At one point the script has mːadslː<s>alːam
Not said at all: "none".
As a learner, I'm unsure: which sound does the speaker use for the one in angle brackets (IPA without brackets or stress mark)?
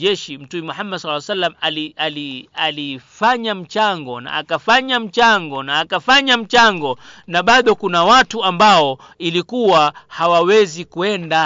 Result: s